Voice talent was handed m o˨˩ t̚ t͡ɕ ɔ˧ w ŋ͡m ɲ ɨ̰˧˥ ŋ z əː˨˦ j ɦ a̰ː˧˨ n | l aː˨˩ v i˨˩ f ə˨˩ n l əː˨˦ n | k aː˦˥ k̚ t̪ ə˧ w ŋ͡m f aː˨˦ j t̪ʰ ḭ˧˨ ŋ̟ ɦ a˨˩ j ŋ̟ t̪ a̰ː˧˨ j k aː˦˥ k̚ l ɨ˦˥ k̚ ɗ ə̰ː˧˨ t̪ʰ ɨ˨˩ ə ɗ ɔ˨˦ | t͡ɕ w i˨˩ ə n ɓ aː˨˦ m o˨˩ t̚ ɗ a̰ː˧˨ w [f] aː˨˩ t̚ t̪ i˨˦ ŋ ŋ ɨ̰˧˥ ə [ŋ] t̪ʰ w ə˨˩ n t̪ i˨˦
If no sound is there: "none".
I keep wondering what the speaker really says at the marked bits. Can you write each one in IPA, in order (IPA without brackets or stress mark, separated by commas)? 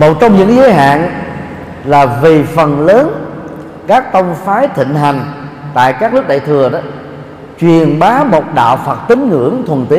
f, ŋ